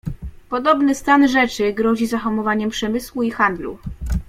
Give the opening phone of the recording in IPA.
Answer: p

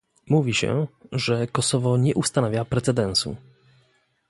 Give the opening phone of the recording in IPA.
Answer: m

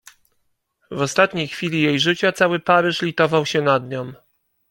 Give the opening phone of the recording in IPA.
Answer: v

